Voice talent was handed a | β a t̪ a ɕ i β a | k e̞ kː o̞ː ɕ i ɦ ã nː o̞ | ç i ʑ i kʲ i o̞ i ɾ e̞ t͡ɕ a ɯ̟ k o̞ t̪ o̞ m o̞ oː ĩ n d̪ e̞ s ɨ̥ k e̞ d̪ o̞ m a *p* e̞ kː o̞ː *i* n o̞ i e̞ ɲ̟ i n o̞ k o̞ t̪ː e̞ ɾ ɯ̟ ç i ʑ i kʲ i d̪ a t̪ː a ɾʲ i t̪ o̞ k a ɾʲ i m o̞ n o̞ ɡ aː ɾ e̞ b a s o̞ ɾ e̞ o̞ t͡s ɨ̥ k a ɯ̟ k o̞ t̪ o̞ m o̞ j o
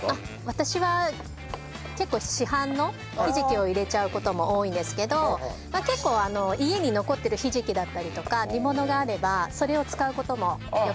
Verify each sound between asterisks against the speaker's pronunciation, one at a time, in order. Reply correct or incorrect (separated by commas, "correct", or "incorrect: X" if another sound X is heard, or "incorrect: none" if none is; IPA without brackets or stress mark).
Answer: incorrect: k, incorrect: a